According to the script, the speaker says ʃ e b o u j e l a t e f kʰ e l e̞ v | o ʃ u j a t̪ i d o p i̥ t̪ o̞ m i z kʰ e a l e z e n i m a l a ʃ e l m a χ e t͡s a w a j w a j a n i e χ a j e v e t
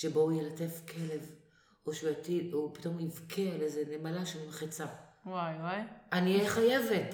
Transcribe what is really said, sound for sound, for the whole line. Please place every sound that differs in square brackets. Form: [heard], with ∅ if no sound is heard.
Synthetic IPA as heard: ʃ e b o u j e l a t e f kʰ e l e̞ v | o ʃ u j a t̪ i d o p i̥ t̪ o̞ m i [v] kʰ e a l e z e n [e] m a l a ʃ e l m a χ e t͡s a w a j w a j a n i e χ a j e v e t